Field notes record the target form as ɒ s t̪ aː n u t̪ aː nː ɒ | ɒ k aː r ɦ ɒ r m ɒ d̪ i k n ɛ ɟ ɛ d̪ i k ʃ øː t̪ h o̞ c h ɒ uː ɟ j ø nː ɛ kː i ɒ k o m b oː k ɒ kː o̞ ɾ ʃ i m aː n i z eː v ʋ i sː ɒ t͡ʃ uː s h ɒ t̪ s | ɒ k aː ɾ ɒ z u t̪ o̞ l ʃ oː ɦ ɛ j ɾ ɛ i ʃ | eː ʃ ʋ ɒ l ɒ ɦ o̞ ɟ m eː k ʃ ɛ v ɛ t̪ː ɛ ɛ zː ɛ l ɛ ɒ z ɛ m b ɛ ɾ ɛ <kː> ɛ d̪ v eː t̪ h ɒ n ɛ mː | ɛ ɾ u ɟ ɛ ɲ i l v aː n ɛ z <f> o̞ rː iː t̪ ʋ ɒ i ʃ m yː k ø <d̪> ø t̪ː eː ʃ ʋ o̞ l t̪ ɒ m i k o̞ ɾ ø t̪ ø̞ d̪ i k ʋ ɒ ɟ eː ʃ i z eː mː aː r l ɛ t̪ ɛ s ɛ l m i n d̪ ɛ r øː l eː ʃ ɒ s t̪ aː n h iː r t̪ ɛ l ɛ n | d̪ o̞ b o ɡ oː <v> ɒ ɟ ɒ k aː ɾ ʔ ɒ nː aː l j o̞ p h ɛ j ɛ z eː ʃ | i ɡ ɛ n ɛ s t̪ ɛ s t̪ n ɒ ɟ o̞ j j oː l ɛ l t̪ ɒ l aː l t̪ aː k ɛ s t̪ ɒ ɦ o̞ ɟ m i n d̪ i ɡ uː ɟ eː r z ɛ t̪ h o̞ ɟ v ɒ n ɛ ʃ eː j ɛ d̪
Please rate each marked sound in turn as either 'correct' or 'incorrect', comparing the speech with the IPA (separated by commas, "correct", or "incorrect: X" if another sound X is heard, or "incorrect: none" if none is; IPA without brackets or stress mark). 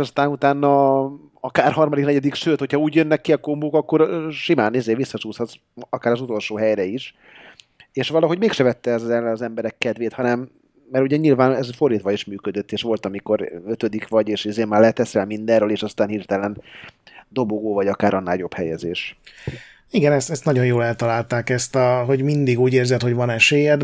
correct, correct, correct, correct